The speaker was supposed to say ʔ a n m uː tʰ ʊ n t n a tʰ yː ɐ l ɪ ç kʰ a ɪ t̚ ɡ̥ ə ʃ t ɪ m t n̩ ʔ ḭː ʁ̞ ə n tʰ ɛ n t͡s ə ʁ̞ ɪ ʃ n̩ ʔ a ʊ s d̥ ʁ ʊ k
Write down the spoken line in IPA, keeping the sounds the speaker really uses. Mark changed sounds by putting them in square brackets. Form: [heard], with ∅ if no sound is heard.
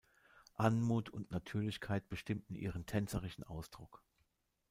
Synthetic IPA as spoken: ʔ a n m uː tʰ ʊ n t n a tʰ yː ɐ l ɪ ç kʰ a ɪ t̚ [b̥] ə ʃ t ɪ m t n̩ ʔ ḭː ʁ̞ ə n tʰ ɛ n t͡s ə ʁ̞ ɪ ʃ n̩ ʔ a ʊ s d̥ ʁ ʊ k